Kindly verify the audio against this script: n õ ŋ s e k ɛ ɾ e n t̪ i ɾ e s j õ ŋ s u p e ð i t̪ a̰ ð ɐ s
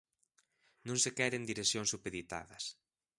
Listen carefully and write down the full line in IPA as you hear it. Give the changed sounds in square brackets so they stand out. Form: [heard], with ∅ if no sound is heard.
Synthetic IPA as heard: n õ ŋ s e k ɛ ɾ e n [d̪] i ɾ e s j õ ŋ s u p e ð i t̪ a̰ ð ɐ s